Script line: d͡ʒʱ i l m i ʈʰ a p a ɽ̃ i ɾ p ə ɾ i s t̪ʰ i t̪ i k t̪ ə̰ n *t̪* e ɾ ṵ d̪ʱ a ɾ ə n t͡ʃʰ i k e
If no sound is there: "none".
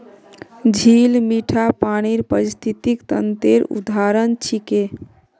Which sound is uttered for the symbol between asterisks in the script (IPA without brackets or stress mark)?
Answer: t̪